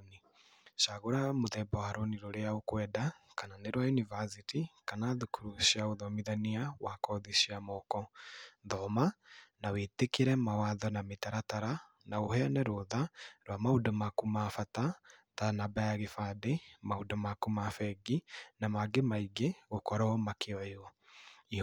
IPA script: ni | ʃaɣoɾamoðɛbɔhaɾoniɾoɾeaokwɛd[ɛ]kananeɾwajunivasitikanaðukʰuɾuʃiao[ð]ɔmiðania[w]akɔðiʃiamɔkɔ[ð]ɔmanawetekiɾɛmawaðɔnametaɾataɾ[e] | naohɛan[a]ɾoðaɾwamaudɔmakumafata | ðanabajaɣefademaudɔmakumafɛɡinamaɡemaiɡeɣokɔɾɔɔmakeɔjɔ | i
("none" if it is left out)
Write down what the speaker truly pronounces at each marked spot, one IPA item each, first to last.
a, ð, w, ð, a, ɛ

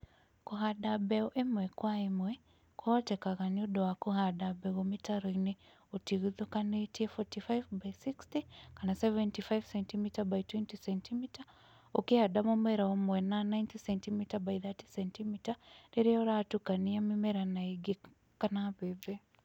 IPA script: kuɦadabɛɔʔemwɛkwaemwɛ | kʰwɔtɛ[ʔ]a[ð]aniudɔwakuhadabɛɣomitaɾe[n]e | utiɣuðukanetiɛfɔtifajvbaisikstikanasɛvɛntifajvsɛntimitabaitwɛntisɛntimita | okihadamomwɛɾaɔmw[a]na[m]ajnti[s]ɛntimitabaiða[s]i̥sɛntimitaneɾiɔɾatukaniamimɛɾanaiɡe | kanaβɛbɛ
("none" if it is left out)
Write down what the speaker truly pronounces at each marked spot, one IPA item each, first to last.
k, ɣ, n, ɛ, n, s, t

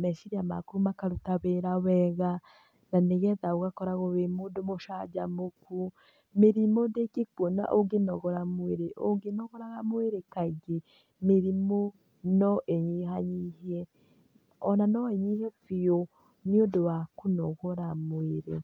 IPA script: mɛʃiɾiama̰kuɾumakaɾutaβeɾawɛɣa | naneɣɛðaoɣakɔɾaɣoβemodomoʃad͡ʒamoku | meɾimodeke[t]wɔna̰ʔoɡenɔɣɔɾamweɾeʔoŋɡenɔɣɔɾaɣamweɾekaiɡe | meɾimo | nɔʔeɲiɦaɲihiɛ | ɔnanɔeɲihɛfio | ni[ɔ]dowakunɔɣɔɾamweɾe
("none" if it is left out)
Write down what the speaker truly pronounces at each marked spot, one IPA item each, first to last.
k, o

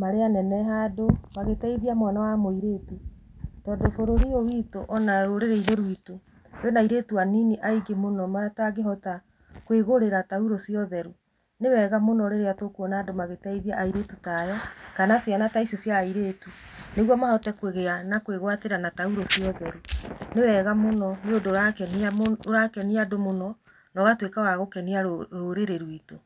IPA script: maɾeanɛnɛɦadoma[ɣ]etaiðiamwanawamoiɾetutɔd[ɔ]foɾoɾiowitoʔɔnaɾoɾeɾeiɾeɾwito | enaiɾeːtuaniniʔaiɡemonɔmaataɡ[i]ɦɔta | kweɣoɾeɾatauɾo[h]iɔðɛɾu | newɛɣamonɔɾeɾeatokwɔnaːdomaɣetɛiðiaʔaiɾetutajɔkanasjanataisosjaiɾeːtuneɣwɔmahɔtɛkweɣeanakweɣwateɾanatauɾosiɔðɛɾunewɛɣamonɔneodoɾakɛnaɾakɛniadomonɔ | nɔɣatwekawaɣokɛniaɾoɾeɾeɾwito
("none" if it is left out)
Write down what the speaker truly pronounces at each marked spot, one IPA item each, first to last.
ɣ, o, e, s

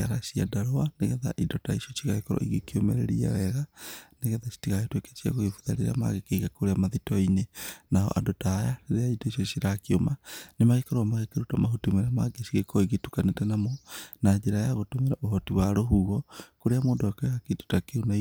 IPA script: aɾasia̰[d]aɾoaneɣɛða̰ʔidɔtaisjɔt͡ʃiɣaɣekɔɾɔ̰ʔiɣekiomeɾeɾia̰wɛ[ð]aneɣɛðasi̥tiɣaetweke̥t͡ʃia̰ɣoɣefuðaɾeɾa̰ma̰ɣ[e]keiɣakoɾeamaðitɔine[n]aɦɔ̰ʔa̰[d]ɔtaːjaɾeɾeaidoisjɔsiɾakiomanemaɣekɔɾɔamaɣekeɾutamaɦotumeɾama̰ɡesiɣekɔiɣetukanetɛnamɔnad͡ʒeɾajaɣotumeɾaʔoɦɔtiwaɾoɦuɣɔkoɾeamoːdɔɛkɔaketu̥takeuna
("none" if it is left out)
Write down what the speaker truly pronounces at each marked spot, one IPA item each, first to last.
d, ɣ, e, n, d

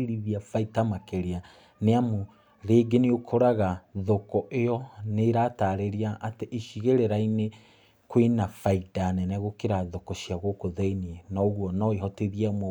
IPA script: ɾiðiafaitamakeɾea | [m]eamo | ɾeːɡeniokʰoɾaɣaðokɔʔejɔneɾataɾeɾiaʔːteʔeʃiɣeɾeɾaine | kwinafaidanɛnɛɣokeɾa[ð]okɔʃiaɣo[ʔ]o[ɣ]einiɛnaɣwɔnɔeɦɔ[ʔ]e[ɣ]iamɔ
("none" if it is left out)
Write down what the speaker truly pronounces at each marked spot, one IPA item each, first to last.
n, ð, k, ð, t, ð

